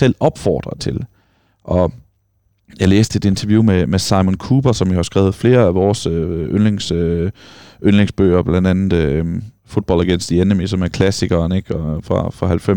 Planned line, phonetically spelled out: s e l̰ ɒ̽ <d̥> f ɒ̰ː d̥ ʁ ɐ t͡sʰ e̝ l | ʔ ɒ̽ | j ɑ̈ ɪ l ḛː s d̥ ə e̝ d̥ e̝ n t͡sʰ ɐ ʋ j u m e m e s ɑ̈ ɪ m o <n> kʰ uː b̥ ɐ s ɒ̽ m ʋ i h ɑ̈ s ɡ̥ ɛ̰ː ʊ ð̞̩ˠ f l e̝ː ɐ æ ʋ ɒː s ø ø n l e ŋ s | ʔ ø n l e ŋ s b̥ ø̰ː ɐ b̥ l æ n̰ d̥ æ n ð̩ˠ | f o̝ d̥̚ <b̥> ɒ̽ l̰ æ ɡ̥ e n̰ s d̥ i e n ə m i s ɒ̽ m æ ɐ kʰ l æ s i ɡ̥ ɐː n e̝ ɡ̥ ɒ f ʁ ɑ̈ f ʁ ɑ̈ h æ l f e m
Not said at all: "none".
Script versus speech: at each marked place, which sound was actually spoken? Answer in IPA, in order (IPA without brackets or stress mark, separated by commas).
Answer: b̥, n, b̥